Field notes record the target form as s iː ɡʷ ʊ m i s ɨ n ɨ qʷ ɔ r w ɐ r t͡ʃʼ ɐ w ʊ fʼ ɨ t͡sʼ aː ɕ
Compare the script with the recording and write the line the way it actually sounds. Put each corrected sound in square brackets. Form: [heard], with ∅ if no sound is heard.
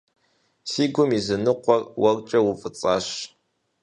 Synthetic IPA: s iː ɡʷ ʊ m i [z] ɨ n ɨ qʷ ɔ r w ɐ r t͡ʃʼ ɐ w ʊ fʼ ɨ t͡sʼ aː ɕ